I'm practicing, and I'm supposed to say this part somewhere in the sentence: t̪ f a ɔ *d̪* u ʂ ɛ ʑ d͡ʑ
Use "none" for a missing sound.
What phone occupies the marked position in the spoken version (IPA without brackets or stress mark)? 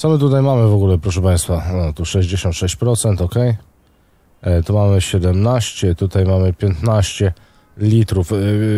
t̪